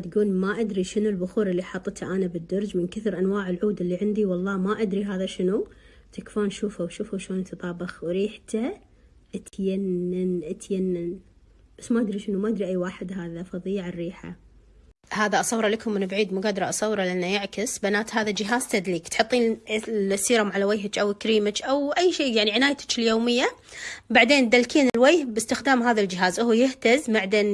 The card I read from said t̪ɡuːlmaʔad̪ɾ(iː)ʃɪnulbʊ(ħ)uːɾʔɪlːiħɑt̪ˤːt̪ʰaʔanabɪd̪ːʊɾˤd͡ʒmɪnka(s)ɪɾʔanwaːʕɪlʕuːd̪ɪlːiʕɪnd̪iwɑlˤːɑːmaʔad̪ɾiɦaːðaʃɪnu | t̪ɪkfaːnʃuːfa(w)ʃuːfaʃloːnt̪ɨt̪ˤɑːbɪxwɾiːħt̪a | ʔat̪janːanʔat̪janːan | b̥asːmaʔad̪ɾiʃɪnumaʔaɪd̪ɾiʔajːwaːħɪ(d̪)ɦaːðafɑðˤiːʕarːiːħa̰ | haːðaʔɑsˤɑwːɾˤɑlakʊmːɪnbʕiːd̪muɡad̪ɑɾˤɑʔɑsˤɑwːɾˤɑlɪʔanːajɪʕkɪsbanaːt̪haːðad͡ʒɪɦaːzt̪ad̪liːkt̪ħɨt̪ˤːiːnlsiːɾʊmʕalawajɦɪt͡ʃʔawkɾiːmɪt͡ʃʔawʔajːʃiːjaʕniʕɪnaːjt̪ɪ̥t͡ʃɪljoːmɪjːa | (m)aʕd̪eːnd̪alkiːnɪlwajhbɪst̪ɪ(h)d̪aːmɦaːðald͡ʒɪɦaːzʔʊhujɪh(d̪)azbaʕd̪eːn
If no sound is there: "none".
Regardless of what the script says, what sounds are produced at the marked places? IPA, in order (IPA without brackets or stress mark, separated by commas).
i, x, θ, w, d̪, b, x, t̪